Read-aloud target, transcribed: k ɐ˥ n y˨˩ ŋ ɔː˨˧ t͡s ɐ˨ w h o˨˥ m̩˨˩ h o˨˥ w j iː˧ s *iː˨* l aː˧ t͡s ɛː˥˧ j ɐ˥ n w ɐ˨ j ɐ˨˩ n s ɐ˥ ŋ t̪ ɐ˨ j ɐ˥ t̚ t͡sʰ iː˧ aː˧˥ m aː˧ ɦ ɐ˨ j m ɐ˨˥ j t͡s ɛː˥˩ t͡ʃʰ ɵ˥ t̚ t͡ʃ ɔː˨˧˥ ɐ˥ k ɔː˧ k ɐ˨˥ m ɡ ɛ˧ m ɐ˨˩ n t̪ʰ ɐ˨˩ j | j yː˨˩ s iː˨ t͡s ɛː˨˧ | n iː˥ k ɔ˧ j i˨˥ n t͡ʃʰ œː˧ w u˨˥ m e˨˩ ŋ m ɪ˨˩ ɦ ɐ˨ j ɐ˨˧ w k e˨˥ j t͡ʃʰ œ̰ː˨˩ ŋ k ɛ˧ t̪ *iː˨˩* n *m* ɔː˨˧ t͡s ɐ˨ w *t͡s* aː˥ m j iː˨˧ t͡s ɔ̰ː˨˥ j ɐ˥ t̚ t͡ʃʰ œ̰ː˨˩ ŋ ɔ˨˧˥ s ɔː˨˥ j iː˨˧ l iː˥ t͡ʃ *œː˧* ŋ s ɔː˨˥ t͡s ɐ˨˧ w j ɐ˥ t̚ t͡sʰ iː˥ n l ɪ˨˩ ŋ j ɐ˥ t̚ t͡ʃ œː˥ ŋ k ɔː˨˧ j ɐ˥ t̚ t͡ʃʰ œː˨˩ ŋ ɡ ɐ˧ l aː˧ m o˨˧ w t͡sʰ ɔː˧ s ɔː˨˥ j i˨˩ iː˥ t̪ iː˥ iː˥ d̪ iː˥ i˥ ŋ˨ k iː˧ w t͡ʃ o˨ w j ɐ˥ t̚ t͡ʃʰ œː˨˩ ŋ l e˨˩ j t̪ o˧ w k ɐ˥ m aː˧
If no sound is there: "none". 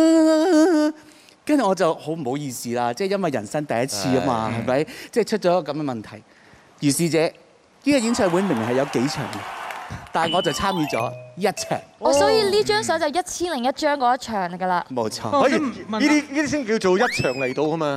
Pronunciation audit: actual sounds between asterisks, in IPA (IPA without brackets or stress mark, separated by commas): iː˨, aː˨˩, ŋ, t͡sʰ, œː˥